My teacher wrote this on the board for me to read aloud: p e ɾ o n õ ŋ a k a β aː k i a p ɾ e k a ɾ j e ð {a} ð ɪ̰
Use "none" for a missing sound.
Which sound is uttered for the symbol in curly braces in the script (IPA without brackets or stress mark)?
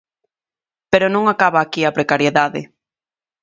a